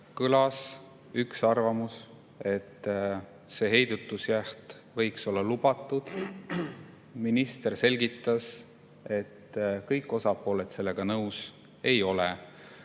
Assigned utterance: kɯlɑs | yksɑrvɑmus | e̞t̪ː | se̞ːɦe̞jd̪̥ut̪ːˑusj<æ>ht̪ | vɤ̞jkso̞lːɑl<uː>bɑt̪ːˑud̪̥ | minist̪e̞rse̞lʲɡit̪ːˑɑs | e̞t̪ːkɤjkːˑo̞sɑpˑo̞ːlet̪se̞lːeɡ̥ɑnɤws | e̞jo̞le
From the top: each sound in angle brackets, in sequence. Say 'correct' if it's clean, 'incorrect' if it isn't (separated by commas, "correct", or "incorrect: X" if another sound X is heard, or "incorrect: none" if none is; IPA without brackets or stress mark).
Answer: correct, incorrect: u